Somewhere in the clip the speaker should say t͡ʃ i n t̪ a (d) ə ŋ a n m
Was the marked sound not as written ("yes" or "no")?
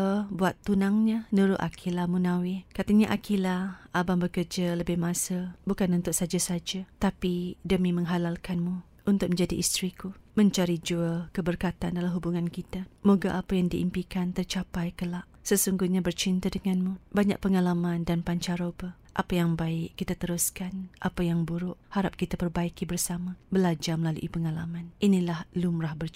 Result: no